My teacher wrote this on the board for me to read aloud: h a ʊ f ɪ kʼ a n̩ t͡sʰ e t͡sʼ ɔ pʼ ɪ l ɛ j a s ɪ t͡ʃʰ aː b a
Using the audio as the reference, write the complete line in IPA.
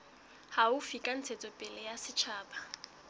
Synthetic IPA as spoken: h a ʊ f i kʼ a n̩ t͡sʰ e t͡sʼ ɔ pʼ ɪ l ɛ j a s ɪ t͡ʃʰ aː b a